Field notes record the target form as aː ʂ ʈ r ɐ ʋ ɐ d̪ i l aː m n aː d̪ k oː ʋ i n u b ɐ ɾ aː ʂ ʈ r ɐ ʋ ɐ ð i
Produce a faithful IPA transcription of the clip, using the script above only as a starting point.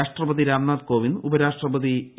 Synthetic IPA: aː ʂ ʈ r ɐ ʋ ɐ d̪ i ɾ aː m n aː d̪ k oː ʋ i n u b ɐ ɾ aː ʂ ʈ r ɐ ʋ ɐ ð i